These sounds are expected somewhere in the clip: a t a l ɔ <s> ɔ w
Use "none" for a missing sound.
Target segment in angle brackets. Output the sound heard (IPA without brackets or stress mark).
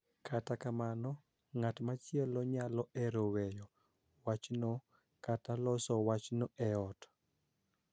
s